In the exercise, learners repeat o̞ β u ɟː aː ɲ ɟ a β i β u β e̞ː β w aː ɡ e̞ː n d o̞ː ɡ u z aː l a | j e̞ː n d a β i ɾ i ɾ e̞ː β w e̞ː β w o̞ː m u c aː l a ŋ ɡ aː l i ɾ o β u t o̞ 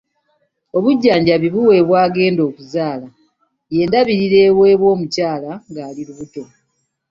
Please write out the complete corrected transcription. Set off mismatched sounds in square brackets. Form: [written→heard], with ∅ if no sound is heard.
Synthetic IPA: o̞ β u ɟː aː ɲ ɟ a β i β u [β→w] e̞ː β w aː ɡ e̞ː n d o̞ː [ɡ→k] u z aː l a | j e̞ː n d a β i ɾ i ɾ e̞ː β w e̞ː β w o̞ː m u c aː l a ŋ ɡ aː l i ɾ [o→u] β u t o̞